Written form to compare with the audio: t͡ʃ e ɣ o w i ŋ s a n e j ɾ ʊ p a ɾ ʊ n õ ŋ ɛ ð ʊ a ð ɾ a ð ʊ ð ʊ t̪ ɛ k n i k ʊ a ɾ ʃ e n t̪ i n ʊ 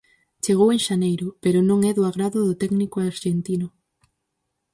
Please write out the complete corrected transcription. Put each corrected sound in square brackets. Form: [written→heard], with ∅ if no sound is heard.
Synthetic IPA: t͡ʃ e ɣ o w [i→e] ŋ [s→ʃ] a n e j ɾ ʊ p [a→e] ɾ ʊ n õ ŋ ɛ ð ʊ a [ð→ɣ] ɾ a ð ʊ ð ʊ t̪ ɛ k n i k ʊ a ɾ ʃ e n t̪ i n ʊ